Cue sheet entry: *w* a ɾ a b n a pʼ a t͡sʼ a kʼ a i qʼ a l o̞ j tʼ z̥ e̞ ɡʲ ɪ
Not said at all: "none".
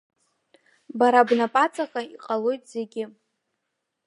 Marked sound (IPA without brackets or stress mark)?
b